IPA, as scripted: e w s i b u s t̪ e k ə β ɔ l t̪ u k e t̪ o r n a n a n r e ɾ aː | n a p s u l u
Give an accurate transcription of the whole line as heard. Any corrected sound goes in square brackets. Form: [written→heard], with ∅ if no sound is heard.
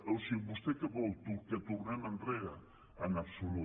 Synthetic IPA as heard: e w s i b u s t̪ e k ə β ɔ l t̪ u k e t̪ [o→u] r n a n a n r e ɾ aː | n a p s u l u